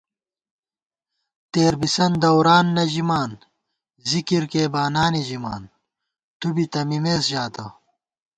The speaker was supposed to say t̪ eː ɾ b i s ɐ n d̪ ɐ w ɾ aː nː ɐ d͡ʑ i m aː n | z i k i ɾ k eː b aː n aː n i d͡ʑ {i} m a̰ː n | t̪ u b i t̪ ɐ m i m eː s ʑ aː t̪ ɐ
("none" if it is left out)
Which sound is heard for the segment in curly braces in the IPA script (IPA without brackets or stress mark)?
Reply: i